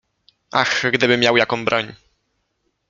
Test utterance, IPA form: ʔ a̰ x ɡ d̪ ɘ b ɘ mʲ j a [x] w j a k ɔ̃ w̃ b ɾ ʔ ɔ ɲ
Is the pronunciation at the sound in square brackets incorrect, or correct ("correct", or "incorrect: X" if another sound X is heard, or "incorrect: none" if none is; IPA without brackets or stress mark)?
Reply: incorrect: none